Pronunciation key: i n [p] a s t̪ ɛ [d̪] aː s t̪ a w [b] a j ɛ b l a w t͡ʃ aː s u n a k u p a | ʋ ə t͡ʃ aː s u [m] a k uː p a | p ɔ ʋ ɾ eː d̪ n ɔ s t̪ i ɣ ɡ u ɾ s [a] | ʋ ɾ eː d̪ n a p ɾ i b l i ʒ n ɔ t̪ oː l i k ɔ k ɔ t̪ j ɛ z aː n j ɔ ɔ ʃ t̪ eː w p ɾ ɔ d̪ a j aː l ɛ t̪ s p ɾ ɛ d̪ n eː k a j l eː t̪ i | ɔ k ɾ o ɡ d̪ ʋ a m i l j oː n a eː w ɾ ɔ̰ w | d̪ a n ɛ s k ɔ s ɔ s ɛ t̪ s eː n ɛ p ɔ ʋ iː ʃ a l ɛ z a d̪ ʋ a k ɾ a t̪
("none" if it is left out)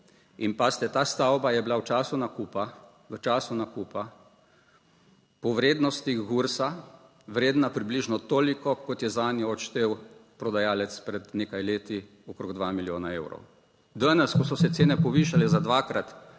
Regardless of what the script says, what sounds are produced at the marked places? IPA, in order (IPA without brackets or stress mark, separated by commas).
p, t̪, b, n, a